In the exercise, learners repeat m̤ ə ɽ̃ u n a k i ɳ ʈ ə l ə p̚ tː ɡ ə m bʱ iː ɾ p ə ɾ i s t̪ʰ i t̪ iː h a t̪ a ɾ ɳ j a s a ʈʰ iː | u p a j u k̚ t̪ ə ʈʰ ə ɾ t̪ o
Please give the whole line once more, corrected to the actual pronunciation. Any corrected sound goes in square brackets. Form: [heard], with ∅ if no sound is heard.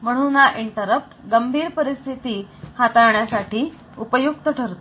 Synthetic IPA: m̤ ə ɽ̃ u n a [ʔ] i ɳ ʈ ə [ɾ] ə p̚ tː ɡ ə m bʱ iː ɾ p ə ɾ i s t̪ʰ i t̪ iː h a t̪ a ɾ ɳ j a s a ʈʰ iː | u p [ə] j u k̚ t̪ ə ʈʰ ə ɾ t̪ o